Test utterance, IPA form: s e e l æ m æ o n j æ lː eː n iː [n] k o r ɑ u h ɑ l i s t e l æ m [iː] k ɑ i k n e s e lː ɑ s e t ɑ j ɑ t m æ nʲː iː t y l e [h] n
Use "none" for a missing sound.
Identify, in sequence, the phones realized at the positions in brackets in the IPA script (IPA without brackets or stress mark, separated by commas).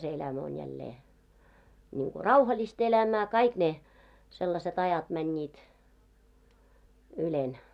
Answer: ŋ, æː, none